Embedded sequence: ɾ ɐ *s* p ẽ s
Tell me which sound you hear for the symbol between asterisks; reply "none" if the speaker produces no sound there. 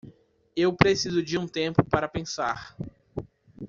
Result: none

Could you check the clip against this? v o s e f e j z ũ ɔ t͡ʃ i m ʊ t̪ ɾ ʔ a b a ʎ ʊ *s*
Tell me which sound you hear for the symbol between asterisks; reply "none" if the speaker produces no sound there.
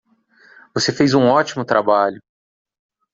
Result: none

